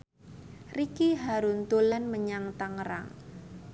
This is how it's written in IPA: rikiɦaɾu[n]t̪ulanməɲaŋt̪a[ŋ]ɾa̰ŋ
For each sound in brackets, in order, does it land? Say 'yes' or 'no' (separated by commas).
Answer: yes, yes